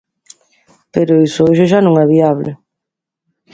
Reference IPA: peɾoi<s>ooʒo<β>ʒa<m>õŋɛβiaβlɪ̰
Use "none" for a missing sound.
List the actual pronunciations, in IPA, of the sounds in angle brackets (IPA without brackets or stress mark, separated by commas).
s, none, n